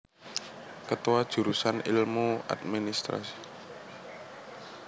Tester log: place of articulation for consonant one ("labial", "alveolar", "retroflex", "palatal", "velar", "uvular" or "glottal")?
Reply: velar